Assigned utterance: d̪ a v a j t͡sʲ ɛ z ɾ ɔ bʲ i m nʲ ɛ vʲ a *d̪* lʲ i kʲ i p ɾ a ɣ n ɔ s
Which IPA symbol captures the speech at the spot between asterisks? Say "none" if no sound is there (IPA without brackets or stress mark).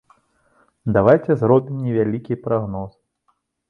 none